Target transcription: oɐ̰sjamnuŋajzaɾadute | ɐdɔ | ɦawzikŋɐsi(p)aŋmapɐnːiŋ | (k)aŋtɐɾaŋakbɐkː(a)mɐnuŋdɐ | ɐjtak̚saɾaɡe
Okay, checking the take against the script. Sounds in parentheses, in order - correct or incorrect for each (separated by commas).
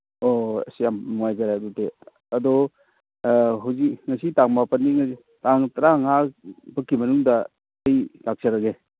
incorrect, incorrect, incorrect